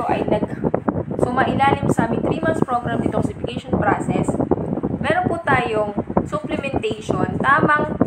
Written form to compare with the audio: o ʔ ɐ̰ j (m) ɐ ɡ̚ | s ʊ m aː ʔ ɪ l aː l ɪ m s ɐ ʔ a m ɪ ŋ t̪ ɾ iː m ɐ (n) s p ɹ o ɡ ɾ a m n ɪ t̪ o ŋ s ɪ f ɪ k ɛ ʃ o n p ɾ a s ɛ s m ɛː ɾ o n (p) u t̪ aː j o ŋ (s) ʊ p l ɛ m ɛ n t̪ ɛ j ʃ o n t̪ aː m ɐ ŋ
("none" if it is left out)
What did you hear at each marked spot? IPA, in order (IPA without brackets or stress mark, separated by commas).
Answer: n, n, p, s